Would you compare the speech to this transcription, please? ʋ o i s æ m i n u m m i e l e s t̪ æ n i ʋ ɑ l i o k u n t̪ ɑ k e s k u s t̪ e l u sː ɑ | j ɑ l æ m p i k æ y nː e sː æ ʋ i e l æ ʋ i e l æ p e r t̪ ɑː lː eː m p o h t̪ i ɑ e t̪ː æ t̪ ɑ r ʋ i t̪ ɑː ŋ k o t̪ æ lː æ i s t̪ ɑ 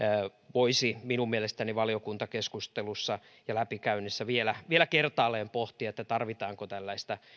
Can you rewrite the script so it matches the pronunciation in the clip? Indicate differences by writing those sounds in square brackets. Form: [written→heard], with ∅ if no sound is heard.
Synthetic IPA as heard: ʋ o i s [æ→i] m i n u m m i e l e s t̪ æ n i ʋ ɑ l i o k u n t̪ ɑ k e s k u s t̪ e l u sː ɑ | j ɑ l æ [m→∅] p i k æ y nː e sː æ ʋ i e l æ ʋ i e l æ [p→k] e r t̪ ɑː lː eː m p o h t̪ i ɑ e t̪ː æ t̪ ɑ r ʋ i t̪ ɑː ŋ k o t̪ æ lː æ i s t̪ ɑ